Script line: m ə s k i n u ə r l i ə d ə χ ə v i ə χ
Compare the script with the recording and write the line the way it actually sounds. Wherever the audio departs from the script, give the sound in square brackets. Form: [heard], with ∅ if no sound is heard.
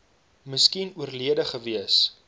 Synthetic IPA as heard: m ə s k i n u ə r l i ə d ə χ ə v i ə [s]